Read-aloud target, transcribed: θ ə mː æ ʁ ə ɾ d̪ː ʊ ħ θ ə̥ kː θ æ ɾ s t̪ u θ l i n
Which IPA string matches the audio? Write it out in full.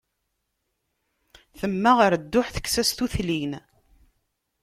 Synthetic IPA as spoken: θ ə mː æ ʁ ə ɾ d̪ː ʊ ħ θ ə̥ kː s æ s t̪ u θ l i n